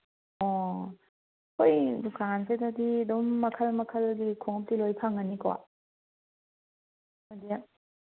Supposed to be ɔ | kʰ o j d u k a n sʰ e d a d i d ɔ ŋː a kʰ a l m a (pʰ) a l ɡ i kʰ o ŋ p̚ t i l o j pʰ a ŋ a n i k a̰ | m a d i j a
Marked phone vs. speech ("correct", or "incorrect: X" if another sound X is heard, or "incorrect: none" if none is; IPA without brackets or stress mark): incorrect: kʰ